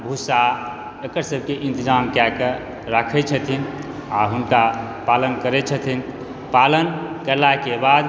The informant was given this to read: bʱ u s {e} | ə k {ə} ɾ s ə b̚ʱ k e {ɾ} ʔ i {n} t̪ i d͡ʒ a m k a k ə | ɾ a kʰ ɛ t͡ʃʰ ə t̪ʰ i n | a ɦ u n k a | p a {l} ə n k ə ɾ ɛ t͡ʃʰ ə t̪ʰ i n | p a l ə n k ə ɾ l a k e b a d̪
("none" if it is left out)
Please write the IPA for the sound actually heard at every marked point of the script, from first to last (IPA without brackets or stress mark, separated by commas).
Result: a, ə, none, n, l